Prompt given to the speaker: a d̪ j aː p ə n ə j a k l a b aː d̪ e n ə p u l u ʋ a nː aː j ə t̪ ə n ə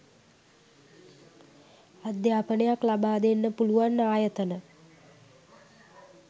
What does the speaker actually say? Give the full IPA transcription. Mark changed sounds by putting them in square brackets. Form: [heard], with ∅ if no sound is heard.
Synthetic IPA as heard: a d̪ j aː p ə n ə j a k l a b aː d̪ e [nː] ə p u l u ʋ a nː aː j ə t̪ ə n ə